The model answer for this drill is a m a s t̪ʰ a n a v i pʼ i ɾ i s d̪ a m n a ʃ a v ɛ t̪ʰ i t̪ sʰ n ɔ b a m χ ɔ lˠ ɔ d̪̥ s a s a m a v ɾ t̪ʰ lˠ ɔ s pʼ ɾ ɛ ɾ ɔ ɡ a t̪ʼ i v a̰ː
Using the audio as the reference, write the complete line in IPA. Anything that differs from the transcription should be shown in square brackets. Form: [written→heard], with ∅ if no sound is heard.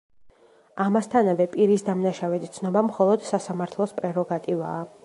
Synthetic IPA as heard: a m a s t̪ʰ a n a v [i→ɛ] pʼ i ɾ i s d̪ a m n a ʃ a v ɛ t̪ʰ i t̪ sʰ n ɔ b a m χ ɔ lˠ ɔ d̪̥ s a s a m a [v→∅] ɾ t̪ʰ lˠ ɔ s pʼ ɾ ɛ ɾ ɔ ɡ a t̪ʼ i v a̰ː